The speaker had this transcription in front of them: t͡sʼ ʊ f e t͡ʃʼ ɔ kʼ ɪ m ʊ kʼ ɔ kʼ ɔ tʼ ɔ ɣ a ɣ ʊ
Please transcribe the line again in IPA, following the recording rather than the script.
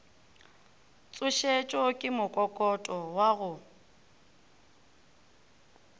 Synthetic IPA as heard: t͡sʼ ʊ ʃ e t͡ʃʼ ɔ kʼ ɪ m ʊ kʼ ɔ kʼ ɔ tʼ ɔ w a ɣ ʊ